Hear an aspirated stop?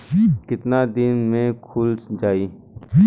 yes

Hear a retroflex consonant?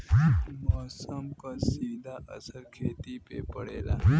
yes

